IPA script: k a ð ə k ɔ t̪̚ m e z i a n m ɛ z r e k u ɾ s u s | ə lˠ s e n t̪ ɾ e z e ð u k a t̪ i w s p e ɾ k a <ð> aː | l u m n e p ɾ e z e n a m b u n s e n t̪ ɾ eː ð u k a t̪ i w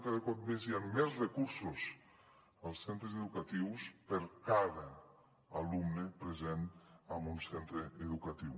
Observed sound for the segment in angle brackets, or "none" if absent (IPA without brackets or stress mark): ð